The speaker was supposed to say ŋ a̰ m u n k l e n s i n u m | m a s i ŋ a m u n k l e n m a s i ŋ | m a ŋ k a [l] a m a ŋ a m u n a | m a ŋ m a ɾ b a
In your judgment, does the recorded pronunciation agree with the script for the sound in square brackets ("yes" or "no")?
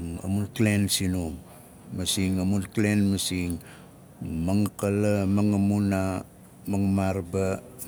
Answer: yes